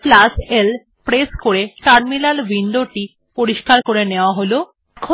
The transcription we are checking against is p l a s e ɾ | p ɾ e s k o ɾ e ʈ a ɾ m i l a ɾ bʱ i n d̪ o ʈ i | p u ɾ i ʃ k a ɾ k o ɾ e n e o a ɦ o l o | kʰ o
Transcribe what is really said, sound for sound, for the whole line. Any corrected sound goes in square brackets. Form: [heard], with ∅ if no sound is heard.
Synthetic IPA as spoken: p l a s e [l] | p ɾ e s k o ɾ e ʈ a ɾ m i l a [l] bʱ i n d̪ o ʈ i | p [o] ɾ i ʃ k a ɾ k o ɾ e n e o a ɦ o l o | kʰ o